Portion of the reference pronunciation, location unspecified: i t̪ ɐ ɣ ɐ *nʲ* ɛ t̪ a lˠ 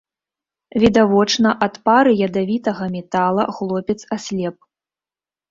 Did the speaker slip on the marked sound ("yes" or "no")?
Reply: yes